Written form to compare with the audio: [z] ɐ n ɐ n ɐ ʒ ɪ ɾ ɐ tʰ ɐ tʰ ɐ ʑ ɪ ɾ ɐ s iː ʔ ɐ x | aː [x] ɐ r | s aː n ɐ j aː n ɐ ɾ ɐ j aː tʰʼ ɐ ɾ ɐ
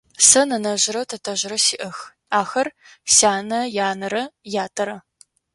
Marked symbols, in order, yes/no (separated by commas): no, yes